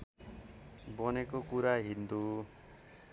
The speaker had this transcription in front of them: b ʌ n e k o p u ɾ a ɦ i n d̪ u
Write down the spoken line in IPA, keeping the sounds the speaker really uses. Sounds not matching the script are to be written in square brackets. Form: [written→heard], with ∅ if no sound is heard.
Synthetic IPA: b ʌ n e k o [p→k] u ɾ a ɦ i n d̪ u